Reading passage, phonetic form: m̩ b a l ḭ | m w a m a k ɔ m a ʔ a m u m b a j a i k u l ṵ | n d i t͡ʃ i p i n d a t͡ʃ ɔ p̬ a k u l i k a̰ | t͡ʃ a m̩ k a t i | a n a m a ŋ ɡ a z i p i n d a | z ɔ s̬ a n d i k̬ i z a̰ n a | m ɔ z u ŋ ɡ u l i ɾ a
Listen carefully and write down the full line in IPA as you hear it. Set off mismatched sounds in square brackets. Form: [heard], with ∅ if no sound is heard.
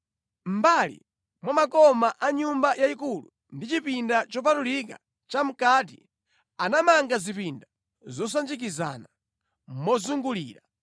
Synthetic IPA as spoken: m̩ b a l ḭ | m w a m a k ɔ m a ʔ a [ɲ] u m b a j a i k u l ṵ | n d i t͡ʃ i p i n d a t͡ʃ ɔ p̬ a [t] u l i k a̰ | t͡ʃ a m̩ k a t i | a n a m a ŋ ɡ a z i p i n d a | z ɔ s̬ a n [d͡ʒ] i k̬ i z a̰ n a | m ɔ z u ŋ ɡ u l [iː] ɾ a